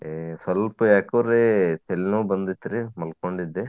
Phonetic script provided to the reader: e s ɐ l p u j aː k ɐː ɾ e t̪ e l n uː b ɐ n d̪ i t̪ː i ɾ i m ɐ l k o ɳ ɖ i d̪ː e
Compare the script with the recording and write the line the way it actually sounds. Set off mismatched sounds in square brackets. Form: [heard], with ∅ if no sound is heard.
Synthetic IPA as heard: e s ɐ l p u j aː k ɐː ɾ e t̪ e l n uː b ɐ n d̪ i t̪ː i ɾ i m ɐ l k o ɳ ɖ i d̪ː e